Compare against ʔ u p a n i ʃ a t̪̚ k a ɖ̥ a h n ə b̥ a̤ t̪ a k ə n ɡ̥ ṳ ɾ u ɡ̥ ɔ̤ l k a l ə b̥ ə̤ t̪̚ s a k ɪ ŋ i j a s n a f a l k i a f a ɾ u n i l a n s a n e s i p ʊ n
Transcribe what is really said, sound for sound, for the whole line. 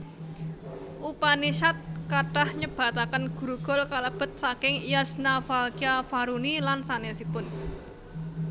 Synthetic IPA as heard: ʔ u p a n i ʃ a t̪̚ k a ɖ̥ a h ɲ ə b̥ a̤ t̪ a k ə n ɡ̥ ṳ ɾ u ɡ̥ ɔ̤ l k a l ə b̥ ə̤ t̪̚ s a k ɪ ŋ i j a s n a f a l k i a f a ɾ u n i l a n s a n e s i p ʊ n